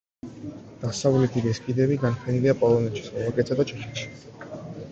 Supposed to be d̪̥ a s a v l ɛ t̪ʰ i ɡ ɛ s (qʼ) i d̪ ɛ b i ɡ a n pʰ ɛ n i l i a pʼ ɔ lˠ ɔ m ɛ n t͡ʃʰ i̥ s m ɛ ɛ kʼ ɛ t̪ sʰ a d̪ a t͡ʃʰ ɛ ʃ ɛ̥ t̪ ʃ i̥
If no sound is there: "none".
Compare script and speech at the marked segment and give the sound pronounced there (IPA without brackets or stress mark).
kʼ